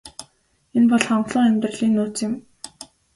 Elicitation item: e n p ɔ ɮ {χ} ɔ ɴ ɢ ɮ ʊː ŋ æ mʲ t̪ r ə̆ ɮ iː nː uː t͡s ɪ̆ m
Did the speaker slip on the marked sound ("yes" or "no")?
no